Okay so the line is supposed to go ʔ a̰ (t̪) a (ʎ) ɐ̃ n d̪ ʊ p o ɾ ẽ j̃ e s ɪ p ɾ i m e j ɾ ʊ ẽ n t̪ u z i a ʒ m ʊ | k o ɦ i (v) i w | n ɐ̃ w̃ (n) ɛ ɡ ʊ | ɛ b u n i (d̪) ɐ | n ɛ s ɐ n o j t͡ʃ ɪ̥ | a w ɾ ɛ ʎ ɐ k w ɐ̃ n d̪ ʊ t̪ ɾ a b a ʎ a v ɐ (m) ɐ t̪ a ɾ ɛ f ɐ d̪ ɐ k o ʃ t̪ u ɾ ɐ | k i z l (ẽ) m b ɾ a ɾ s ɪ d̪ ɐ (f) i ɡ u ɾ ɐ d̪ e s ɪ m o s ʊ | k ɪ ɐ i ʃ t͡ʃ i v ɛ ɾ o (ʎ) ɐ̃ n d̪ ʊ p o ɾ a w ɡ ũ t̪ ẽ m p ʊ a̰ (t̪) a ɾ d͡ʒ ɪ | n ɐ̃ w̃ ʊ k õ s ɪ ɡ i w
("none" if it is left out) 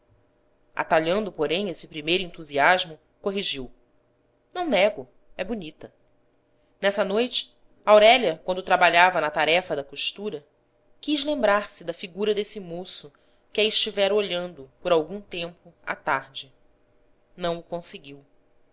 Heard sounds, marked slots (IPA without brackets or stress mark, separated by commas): t̪, ʎ, ʒ, n, t̪, n, ẽ, f, ʎ, t̪